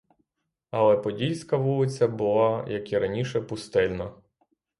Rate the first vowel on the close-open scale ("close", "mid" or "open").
open